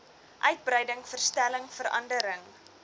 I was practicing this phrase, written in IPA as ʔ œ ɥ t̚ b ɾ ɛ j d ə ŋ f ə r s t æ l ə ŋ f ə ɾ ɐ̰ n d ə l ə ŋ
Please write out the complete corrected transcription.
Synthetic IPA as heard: ʔ œ ɥ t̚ b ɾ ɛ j d ə ŋ f ə r s t æ l ə ŋ f ə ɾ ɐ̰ n d ə ɾ ə ŋ